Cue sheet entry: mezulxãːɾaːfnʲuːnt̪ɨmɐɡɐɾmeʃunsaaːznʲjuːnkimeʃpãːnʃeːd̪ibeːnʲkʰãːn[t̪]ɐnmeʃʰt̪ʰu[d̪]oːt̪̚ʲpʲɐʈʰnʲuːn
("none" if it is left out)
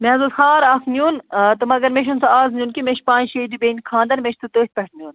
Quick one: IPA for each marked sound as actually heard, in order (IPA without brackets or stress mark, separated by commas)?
d̪, t̪